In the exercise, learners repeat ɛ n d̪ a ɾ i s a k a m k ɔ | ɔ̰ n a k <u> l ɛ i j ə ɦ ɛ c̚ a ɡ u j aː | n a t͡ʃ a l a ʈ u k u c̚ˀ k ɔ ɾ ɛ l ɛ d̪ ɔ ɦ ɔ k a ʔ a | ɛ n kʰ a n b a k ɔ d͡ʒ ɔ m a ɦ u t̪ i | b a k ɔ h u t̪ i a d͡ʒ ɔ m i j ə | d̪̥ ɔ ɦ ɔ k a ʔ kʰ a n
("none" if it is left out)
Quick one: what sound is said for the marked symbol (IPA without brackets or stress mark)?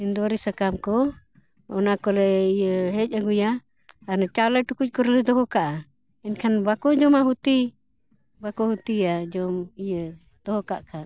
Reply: ɔ